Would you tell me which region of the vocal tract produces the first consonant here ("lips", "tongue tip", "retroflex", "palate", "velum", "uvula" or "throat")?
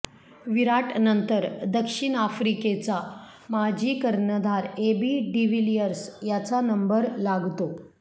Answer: lips